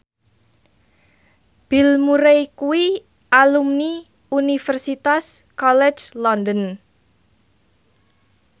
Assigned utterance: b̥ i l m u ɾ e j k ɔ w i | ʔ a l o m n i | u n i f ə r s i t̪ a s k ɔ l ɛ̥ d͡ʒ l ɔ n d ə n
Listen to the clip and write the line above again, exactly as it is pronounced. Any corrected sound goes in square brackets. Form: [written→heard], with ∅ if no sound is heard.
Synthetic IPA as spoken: b̥ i l m u ɾ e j k [ɔ→u] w i | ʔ a l [o→u] m n i | u n i f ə r s i t̪ a s k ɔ l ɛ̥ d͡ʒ l ɔ n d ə n

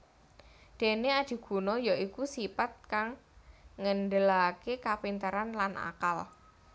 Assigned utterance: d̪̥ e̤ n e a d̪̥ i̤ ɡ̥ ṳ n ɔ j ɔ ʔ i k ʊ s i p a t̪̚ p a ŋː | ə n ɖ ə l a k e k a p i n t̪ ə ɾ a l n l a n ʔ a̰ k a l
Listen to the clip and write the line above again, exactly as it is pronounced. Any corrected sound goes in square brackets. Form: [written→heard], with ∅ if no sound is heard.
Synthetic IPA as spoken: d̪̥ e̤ n e a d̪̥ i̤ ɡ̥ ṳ n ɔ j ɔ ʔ i k [ʊ→u] s i p a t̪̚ [p→k] a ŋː | ə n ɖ ə l a k e k a p i n t̪ ə ɾ a [l→∅] n l a n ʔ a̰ k a l

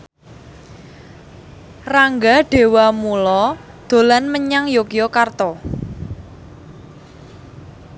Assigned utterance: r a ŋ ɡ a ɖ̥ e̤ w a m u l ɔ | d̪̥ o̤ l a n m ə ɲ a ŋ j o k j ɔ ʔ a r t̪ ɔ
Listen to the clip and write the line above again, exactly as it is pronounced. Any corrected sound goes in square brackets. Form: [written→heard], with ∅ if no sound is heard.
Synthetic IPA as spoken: r a ŋ ɡ a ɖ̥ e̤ w a m u l ɔ | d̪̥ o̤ l a n m ə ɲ a ŋ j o k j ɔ [ʔ→k] a r t̪ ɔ

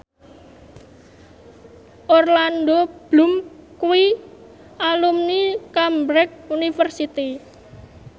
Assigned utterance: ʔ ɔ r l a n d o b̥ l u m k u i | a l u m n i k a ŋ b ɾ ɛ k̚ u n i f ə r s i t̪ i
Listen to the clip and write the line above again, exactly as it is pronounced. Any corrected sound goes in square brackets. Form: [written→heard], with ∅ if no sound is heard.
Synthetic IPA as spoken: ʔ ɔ r l a n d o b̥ l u m k u i | a l u m n i k a [ŋ→m] b ɾ ɛ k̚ u n i f ə r s i t̪ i

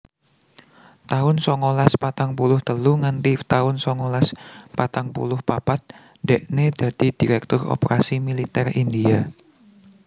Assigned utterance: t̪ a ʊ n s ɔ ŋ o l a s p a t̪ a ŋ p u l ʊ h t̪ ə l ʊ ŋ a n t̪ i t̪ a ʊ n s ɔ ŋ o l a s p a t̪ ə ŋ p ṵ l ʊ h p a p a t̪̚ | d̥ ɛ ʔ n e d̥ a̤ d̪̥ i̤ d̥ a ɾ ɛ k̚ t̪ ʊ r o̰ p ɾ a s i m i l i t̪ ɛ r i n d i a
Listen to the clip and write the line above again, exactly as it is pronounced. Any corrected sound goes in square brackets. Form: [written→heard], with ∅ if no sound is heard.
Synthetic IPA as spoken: t̪ a ʊ n s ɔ ŋ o l a s p a t̪ a ŋ p u l ʊ h t̪ ə l [ʊ→u] ŋ a n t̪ i t̪ a ʊ n s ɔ ŋ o l a s p a t̪ [ə→a] ŋ p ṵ l ʊ h p a p a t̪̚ | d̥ ɛ ʔ n e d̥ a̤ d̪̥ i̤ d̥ [a→i] ɾ ɛ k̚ t̪ ʊ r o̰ p ɾ a s i m i l i t̪ ɛ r i n d i a

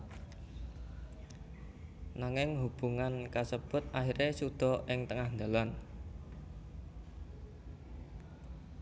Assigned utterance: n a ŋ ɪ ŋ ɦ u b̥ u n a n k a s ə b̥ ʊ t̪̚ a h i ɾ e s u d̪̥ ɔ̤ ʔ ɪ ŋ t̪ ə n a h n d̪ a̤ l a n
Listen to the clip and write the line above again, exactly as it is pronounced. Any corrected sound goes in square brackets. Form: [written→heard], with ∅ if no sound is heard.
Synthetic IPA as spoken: n a ŋ ɪ ŋ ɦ u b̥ u [n→ŋ] a n k a s ə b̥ ʊ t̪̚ a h i ɾ e s u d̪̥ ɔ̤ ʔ ɪ ŋ t̪ ə [n→ŋ] a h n d̪ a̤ l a n

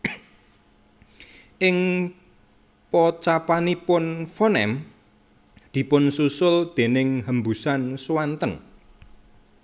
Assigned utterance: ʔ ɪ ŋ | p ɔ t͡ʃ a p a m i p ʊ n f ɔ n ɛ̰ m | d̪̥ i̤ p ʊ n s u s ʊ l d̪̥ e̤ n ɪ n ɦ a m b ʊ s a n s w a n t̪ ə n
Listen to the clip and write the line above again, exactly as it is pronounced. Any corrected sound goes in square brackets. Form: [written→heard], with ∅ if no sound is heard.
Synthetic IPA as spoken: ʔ ɪ ŋ | p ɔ t͡ʃ a p a [m→n] i p ʊ n f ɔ n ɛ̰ m | d̪̥ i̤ p ʊ n s u s ʊ l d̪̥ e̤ n ɪ [n→ŋ] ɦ [a→ə] m b [ʊ→u] s a n s w a n t̪ ə n

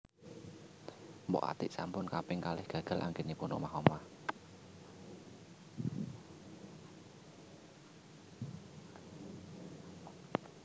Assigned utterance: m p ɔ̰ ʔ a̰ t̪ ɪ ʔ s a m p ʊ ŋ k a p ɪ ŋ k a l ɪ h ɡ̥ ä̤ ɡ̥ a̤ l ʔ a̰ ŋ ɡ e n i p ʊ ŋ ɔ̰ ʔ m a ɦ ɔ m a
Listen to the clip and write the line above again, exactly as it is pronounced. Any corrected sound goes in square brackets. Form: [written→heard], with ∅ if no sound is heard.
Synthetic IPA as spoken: m [p→b] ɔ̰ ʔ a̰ t̪ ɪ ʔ s a m p ʊ [ŋ→n] k a p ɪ ŋ k a l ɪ h ɡ̥ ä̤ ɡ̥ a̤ l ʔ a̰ ŋ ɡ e n i p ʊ [ŋ→n] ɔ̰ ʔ m a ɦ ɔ m a

